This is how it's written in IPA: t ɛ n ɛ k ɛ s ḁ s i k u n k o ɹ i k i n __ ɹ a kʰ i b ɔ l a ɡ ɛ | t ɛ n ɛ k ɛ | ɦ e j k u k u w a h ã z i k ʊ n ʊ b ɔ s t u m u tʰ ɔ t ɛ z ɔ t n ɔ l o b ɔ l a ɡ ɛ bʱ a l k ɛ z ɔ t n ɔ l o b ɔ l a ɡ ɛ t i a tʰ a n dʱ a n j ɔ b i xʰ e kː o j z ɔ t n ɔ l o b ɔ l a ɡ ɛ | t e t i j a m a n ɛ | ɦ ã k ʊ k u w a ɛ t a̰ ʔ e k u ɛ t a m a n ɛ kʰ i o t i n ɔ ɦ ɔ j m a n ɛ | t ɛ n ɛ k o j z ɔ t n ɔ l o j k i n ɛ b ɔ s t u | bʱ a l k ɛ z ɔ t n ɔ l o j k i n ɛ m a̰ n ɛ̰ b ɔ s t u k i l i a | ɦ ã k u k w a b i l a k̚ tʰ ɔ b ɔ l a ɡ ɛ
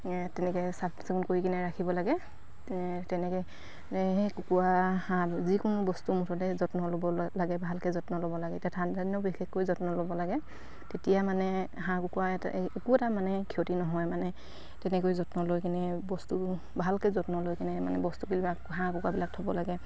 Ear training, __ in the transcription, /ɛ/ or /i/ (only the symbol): ɛ